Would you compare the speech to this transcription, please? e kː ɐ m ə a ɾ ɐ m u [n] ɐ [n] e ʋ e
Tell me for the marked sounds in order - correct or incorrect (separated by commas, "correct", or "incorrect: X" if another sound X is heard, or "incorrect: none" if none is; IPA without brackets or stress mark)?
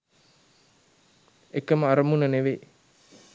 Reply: correct, correct